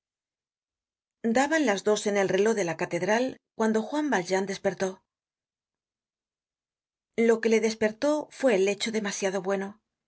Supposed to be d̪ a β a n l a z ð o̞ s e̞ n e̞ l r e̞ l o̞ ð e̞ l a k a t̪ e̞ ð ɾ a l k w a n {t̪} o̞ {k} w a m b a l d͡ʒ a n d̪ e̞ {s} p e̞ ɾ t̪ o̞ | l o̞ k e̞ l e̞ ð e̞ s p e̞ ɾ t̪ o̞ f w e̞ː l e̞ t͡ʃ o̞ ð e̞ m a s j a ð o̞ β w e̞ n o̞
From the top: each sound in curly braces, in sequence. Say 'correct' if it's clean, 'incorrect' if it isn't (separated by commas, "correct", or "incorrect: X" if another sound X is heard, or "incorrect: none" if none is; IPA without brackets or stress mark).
incorrect: d̪, incorrect: x, correct